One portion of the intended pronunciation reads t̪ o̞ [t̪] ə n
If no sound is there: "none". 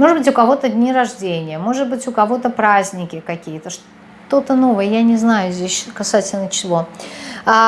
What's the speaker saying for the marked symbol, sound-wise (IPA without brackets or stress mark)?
t̪